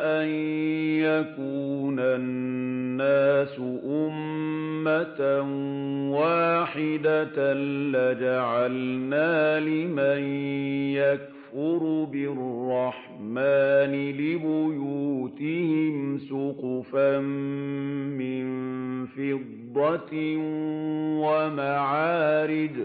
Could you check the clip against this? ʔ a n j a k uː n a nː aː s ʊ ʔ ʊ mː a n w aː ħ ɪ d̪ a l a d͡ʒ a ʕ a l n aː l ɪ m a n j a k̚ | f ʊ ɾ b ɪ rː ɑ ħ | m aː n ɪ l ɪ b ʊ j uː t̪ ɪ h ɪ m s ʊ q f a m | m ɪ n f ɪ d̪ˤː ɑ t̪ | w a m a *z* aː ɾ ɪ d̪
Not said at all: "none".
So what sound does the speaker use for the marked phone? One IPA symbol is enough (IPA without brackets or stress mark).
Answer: ʕ